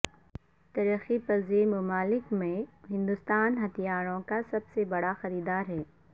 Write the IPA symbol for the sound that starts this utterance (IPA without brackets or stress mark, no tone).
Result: t̪